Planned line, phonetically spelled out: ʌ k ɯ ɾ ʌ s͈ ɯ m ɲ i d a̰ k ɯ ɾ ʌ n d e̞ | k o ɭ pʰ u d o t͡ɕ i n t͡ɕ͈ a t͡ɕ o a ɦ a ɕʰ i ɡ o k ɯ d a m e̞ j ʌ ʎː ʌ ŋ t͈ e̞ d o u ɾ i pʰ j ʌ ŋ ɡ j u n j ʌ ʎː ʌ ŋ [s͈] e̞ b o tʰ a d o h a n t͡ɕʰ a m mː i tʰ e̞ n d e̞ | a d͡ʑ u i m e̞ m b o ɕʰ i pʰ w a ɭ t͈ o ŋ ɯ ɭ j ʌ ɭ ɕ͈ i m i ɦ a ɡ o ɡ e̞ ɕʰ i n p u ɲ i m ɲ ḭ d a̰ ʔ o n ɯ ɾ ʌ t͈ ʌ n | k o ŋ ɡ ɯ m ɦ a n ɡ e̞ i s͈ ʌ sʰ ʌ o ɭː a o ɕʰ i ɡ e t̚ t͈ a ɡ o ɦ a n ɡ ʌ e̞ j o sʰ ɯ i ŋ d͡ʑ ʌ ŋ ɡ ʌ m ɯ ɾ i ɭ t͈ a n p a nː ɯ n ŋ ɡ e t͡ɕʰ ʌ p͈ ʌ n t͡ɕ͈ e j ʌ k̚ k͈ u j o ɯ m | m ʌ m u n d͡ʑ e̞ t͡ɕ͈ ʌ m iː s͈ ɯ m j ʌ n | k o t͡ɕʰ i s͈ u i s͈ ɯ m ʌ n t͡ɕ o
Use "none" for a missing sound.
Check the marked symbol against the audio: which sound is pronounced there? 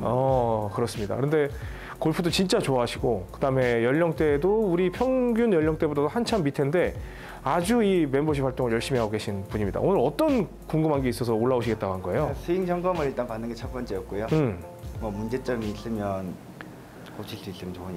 t͈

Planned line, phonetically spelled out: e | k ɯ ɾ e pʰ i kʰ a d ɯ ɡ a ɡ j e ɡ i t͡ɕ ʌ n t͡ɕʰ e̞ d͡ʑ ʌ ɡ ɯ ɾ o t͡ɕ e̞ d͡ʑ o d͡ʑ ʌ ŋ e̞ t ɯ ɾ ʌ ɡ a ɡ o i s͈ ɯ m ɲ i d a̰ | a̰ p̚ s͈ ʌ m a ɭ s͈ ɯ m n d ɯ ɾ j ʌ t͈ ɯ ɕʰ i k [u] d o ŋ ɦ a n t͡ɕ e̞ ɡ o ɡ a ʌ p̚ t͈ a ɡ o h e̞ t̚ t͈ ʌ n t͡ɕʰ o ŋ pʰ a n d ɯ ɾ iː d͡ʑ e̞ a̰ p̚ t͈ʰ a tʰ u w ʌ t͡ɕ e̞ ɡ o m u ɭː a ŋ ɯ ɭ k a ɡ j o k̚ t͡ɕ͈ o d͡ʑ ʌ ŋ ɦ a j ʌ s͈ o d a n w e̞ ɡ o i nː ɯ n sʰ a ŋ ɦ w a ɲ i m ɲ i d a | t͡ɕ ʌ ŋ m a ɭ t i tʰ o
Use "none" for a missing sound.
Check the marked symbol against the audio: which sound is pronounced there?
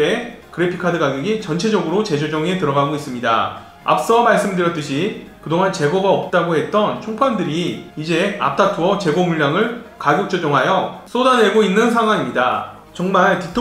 ɯ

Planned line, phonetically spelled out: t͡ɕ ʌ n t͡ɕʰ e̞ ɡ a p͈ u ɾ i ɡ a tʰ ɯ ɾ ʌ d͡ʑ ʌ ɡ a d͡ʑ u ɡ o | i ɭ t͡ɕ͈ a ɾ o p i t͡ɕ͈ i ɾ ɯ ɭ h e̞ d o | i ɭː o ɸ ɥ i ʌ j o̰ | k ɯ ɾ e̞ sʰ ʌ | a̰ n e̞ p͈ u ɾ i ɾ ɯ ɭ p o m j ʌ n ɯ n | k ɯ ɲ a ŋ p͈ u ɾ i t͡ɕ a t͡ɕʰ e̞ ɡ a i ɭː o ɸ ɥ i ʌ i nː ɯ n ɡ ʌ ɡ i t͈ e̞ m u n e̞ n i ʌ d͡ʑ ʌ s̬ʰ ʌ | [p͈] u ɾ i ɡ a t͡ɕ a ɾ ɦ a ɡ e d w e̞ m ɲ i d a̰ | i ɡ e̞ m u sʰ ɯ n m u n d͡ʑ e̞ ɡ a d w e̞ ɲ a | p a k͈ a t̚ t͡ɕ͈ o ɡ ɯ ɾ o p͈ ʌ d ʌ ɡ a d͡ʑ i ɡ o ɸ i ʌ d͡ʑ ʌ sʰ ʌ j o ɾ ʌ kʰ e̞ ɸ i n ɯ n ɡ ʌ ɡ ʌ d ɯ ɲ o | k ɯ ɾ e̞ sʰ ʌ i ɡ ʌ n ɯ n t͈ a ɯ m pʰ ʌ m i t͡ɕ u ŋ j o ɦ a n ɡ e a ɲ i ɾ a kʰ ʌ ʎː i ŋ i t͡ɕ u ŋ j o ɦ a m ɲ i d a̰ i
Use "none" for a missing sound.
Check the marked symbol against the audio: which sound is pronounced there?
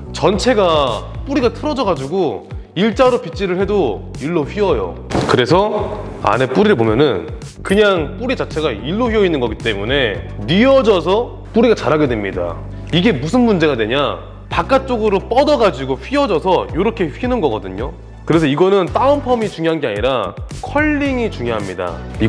p͈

